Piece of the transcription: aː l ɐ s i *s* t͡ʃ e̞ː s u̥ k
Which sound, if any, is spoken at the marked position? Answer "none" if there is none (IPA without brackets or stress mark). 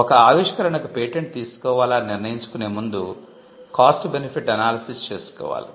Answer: s